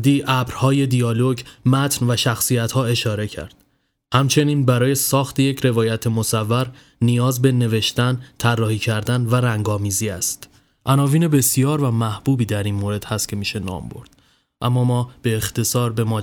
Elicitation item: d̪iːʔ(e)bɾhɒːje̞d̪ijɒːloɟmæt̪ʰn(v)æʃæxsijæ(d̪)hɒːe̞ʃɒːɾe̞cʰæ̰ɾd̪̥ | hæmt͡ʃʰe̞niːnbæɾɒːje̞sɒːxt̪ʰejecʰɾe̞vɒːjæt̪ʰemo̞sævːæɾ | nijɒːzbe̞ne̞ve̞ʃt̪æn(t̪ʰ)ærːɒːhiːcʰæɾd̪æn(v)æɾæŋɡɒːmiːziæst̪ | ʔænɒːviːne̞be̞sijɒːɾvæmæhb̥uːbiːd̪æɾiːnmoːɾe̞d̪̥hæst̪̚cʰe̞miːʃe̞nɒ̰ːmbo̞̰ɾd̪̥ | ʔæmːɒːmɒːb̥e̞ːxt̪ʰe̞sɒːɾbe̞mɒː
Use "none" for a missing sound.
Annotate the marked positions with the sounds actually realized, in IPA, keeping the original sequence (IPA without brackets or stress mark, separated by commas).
æ, v, t̪, t̪ʰ, v